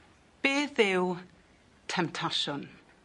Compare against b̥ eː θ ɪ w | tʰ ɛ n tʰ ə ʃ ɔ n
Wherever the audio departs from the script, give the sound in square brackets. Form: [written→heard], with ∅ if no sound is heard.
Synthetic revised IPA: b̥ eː [θ→ð] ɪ w | tʰ ɛ [n→m] tʰ [ə→a] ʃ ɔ n